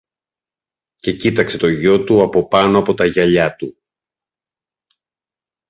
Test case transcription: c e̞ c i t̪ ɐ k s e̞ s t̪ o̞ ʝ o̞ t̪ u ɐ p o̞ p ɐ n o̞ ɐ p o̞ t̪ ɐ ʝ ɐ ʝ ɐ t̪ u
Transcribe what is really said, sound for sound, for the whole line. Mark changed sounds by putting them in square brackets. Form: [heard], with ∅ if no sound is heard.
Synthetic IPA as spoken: c e̞ c i t̪ ɐ k s e̞ [∅] t̪ o̞ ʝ o̞ t̪ u ɐ p o̞ p ɐ n o̞ ɐ p o̞ t̪ ɐ ʝ ɐ [ʎ] ɐ t̪ u